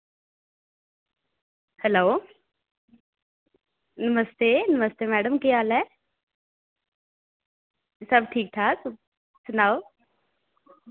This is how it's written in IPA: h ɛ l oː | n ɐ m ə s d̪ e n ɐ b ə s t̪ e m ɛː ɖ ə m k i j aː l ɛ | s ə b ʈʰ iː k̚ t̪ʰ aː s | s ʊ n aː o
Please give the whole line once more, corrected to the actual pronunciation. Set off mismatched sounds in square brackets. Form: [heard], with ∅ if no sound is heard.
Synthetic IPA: h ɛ l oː | n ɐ m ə s [t̪] e n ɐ [m] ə s t̪ e m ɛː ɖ ə m k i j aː l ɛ | s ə b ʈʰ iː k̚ t̪ʰ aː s | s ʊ n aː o